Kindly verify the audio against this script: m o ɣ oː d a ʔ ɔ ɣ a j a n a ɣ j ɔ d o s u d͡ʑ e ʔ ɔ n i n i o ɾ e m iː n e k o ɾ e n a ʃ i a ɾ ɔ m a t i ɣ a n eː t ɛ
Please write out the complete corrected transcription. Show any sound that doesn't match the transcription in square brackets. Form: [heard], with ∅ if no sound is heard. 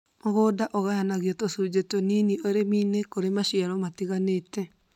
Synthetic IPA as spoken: m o ɣ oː d a ʔ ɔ ɣ a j a n a ɣ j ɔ [t] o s u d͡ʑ e [t] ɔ n i n i o ɾ e m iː n e k o ɾ e [m] a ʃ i a ɾ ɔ m a t i ɣ a n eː t ɛ